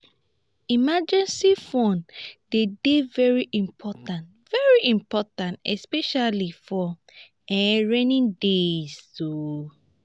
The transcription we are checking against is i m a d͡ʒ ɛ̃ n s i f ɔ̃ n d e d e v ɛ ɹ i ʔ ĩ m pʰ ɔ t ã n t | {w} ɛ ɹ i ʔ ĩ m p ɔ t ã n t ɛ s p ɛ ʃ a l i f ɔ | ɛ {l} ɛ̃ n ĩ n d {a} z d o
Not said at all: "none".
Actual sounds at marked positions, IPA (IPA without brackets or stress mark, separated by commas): v, ɹ, e